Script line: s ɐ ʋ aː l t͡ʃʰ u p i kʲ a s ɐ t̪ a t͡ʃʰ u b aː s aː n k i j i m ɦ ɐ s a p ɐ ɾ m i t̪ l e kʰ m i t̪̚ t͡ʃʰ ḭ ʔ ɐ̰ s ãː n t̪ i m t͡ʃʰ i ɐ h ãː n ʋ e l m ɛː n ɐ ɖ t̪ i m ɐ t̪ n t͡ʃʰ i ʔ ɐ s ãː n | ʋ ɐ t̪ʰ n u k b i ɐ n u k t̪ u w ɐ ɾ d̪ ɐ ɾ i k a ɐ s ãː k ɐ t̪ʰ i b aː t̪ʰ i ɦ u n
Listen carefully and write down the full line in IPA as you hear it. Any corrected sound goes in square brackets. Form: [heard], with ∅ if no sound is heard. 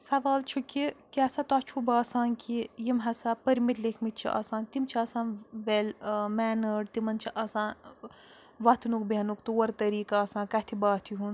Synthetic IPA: s ɐ ʋ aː l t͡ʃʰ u [k] i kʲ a s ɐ t̪ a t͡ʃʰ u b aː s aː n k i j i m ɦ ɐ s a p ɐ ɾ m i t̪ l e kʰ m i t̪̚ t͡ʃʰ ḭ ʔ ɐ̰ s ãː n t̪ i m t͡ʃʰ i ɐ [s] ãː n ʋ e l m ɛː n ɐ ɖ t̪ i m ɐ [∅] n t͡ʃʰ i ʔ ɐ s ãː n | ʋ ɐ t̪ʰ n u k b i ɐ n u k t̪ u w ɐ ɾ [t̪] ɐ ɾ [iː] k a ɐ s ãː k ɐ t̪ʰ i b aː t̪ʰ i ɦ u n